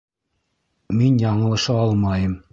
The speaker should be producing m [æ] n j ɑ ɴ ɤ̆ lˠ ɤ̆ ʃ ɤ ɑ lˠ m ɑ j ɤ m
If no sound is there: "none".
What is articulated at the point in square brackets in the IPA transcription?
i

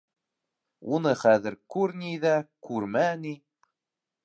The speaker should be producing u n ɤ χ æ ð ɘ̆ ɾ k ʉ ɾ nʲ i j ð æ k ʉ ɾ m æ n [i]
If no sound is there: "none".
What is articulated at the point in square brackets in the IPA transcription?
i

